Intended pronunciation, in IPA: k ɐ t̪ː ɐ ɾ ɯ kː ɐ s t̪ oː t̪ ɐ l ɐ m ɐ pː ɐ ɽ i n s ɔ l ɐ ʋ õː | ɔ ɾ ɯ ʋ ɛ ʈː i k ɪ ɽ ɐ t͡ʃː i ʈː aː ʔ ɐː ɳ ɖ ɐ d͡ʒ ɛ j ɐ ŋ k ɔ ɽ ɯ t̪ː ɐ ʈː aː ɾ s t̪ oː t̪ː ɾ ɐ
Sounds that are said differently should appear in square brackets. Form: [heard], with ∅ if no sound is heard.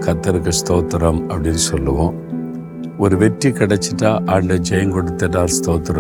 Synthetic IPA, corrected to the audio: k ɐ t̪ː ɐ ɾ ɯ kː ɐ s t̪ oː t̪ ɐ [ɾ] ɐ m ɐ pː ɐ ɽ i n s ɔ [lː] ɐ ʋ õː | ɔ ɾ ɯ ʋ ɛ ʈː i k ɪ ɽ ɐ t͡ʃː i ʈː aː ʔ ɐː ɳ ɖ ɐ d͡ʒ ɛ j ɐ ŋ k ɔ ɽ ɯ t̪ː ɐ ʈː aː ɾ s t̪ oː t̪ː ɾ ɐ